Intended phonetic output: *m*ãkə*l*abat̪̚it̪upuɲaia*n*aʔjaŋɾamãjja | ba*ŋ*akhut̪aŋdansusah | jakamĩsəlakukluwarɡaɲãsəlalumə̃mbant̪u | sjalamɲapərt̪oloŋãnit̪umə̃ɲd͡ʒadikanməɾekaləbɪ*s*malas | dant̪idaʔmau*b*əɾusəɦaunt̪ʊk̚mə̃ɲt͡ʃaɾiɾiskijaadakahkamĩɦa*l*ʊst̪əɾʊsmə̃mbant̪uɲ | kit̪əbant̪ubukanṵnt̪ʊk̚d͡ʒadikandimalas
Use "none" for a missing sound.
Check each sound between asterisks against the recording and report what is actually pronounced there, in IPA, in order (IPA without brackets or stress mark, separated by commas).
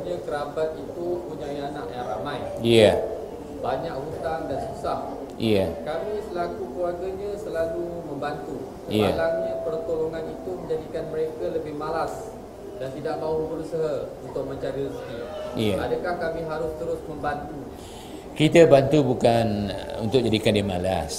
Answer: ɲ, ɾ, n, ɲ, h, b, ɾ